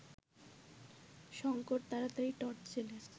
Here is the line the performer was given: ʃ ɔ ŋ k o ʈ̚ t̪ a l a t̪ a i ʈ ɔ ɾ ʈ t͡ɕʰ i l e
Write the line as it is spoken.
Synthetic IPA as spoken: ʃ ɔ ŋ k o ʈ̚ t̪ a ɾ a t̪ a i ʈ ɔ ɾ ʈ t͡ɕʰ e l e